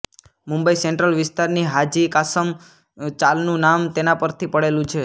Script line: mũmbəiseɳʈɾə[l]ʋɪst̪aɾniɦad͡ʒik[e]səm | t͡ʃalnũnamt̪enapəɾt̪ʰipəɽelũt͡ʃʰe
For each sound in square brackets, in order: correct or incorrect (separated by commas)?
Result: correct, incorrect